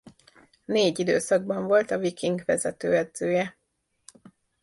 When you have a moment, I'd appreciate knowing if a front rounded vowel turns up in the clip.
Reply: yes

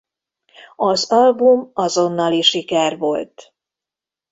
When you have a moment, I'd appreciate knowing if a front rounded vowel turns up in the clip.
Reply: no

